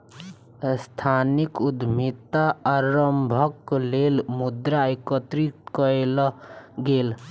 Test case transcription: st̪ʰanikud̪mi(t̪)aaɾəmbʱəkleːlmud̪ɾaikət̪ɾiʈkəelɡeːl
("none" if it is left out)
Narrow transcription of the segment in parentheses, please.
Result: t̪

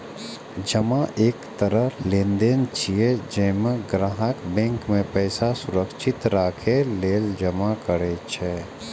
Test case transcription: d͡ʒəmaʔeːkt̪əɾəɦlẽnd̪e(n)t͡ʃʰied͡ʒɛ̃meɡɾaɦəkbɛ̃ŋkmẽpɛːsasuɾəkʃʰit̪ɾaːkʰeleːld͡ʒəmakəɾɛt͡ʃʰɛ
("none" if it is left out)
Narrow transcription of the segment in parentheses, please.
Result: n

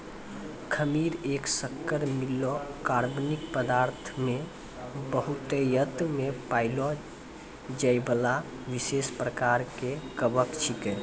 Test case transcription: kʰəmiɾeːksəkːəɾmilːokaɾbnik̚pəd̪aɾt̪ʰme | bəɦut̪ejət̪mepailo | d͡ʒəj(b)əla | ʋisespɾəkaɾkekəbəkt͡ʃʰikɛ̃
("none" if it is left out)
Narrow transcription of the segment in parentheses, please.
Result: b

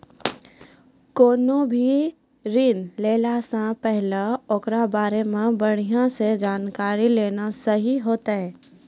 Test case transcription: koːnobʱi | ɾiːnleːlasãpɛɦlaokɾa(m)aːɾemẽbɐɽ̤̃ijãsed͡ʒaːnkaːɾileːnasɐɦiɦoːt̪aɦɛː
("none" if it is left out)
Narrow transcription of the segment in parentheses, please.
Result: b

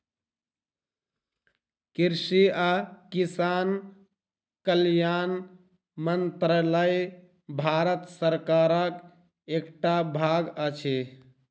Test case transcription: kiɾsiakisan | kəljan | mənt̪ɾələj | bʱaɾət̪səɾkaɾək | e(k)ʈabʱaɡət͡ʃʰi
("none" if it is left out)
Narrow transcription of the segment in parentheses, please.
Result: k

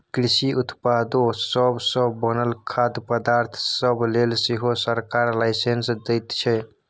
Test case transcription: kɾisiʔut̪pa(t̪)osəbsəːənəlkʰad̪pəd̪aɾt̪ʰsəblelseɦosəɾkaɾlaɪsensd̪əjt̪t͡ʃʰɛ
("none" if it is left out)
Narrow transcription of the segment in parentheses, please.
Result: d̪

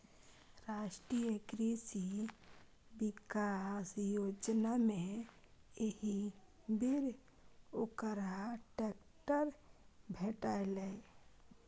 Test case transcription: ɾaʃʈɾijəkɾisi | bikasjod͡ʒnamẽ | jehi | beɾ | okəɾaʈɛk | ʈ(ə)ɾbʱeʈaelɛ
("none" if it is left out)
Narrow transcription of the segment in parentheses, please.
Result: ə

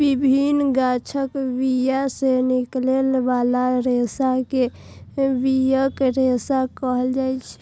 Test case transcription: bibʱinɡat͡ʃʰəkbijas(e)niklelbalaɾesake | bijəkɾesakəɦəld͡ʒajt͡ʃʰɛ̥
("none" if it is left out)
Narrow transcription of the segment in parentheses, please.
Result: e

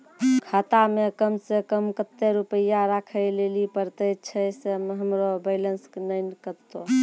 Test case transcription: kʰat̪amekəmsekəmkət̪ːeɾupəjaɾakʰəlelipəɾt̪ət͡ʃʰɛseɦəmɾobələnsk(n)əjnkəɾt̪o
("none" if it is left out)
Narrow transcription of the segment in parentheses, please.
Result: n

